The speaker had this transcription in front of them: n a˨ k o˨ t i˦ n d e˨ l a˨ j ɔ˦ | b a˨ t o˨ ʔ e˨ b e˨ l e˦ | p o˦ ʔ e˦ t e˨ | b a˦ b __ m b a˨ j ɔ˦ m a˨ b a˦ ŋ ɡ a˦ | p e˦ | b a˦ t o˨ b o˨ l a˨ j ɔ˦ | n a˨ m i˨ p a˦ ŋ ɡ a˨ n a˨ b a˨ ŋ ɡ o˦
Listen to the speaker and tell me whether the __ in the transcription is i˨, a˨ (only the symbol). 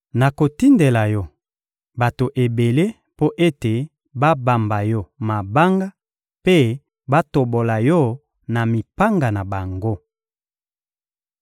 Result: a˨